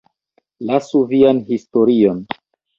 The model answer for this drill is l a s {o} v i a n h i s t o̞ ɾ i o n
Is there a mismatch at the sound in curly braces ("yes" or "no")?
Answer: yes